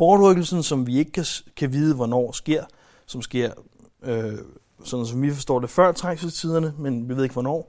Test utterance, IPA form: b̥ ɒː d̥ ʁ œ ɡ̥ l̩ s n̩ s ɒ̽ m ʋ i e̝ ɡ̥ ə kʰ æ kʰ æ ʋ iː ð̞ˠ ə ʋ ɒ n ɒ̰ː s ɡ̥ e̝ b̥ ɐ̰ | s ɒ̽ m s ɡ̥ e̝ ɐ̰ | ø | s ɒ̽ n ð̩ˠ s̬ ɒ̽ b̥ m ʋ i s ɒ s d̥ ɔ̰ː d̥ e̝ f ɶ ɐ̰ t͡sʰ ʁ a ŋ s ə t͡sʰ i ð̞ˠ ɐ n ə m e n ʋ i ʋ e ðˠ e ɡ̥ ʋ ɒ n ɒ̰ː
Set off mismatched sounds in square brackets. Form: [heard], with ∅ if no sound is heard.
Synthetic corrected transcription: b̥ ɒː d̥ ʁ œ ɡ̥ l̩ s n̩ s ɒ̽ m ʋ i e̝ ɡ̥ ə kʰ æ kʰ æ ʋ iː ð̞ˠ ə ʋ ɒ n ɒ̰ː s ɡ̥ e̝ [∅] ɐ̰ | s ɒ̽ m s ɡ̥ e̝ ɐ̰ | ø | s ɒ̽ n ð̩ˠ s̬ ɒ̽ [∅] m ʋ i [f] ɒ s d̥ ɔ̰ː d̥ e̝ f ɶ ɐ̰ t͡sʰ ʁ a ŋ s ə t͡sʰ i ð̞ˠ ɐ n ə m e n ʋ i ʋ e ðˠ e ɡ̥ ʋ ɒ n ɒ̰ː